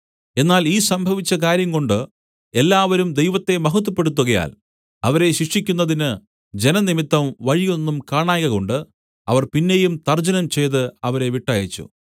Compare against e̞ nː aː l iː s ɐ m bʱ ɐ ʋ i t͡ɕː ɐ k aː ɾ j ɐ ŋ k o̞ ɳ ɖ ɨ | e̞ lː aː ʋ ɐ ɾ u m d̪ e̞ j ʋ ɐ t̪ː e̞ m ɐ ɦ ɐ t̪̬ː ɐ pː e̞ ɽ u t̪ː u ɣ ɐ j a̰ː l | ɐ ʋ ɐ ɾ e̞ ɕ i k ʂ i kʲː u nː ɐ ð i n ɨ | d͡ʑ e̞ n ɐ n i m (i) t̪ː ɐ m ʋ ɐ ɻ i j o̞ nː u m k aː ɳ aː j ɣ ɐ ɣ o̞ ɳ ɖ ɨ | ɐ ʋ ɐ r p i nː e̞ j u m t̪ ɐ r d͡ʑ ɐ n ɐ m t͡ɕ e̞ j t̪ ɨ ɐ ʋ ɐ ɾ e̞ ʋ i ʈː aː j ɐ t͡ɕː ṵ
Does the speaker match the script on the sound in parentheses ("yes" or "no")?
yes